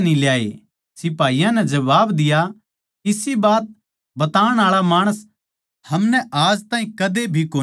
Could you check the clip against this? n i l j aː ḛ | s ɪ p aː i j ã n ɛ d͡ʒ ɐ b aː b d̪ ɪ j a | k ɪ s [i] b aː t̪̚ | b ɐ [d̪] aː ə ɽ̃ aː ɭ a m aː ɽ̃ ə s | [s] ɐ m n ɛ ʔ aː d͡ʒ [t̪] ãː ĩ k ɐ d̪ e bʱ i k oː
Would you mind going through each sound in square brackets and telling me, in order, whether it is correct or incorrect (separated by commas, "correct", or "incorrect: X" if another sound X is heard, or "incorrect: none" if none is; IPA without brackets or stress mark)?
correct, incorrect: t̪, incorrect: h, correct